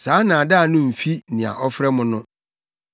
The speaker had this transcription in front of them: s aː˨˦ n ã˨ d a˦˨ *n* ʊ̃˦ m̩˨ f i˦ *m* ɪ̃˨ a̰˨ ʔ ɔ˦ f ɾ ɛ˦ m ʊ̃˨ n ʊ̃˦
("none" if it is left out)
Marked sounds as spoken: n, n

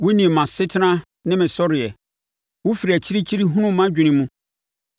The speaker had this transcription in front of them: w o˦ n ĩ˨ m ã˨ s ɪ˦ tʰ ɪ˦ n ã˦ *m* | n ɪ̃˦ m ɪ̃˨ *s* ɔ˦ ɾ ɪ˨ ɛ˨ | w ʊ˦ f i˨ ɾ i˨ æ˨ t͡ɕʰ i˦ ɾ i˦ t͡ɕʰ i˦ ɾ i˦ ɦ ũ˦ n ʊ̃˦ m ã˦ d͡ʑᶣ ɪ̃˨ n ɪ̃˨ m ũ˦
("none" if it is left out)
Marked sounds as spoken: none, s

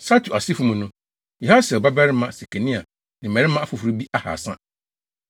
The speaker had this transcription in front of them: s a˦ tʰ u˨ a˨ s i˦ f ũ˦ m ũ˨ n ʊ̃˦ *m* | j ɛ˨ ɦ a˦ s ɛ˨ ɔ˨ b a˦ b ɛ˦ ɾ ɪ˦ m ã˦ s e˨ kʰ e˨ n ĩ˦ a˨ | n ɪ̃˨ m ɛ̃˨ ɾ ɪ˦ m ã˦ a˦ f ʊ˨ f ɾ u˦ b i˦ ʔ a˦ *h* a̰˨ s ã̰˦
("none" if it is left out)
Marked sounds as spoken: none, h

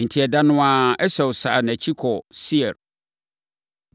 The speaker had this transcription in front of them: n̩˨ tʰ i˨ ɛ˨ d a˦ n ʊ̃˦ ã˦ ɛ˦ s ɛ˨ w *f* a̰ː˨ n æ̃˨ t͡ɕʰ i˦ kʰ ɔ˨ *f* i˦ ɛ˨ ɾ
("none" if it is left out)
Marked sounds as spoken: s, s

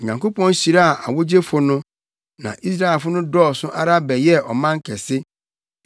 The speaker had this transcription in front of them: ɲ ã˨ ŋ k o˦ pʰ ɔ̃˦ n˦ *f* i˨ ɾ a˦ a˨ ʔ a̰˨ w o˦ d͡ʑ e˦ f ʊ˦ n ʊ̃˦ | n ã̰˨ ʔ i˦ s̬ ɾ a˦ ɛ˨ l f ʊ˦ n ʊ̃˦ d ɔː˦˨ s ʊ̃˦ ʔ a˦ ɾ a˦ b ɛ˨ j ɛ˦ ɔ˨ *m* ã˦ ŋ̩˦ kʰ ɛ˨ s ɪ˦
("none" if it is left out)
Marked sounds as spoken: ɕ, m

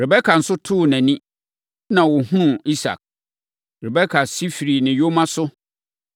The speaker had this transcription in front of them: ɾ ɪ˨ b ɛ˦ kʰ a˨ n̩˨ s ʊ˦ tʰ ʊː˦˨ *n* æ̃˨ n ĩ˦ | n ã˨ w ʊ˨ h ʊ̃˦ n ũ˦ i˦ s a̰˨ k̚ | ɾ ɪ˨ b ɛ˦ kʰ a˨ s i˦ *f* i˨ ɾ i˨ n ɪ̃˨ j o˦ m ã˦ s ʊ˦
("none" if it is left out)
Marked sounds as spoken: n, f

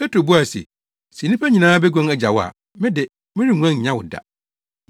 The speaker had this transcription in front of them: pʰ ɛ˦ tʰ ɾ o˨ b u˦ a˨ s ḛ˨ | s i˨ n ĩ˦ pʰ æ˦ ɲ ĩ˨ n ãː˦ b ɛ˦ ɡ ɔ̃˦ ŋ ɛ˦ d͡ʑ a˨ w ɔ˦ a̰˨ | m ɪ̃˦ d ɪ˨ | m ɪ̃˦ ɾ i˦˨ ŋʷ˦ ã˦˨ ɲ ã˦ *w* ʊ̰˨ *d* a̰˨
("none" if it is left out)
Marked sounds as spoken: w, d

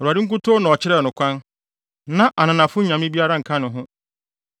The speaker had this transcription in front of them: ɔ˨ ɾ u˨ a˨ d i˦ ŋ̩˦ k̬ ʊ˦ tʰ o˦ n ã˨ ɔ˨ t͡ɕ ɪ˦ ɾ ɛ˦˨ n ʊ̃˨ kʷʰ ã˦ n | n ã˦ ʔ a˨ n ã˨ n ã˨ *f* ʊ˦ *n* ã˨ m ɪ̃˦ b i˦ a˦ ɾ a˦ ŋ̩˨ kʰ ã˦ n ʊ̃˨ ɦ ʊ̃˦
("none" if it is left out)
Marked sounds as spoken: f, ɲ

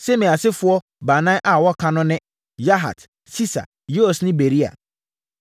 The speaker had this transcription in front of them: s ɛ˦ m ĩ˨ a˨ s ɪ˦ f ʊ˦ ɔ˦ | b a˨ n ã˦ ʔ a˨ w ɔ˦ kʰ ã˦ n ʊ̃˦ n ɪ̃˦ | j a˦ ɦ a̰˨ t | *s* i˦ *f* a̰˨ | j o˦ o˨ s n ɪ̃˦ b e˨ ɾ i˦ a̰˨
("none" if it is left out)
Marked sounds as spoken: s, s

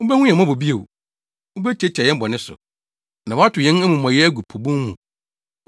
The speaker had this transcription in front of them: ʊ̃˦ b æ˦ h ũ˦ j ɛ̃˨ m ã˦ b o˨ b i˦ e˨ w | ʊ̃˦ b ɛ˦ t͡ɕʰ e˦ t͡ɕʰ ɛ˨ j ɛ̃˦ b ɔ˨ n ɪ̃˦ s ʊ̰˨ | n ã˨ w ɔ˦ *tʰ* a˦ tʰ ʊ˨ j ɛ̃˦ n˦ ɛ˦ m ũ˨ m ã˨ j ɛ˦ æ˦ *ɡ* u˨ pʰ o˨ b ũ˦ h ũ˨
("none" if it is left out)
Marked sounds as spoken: none, ɡ

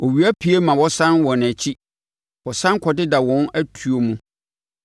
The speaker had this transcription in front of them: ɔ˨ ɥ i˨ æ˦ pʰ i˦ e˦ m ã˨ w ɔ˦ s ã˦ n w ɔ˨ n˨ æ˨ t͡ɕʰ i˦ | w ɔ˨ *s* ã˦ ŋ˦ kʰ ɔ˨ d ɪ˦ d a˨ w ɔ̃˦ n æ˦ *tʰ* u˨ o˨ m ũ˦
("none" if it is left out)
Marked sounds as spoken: s, tʰ

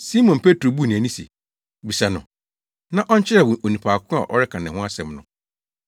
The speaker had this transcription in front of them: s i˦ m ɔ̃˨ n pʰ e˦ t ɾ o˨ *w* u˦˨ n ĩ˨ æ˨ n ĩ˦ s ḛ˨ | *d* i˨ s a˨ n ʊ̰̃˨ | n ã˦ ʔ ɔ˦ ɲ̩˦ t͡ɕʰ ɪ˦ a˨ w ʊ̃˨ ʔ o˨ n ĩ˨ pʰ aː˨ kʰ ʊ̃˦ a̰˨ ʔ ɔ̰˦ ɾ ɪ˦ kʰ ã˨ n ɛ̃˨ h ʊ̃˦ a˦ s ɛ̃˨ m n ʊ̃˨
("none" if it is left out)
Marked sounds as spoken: b, b

